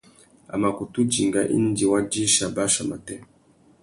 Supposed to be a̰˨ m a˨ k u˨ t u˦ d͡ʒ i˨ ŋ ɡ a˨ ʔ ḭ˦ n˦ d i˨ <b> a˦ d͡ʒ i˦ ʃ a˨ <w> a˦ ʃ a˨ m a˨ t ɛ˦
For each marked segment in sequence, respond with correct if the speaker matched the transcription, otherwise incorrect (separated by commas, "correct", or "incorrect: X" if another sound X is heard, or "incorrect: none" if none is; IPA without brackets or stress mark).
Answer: incorrect: w, incorrect: b